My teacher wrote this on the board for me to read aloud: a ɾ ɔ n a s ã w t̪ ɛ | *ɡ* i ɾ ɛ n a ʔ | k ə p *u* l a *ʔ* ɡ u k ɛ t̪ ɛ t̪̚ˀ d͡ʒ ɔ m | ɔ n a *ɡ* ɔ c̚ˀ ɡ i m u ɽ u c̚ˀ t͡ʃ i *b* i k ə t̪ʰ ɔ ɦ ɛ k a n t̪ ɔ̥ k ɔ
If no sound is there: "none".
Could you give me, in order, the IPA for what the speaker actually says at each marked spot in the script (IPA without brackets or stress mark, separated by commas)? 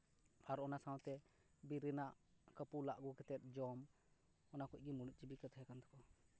b, u, ʔ, k, b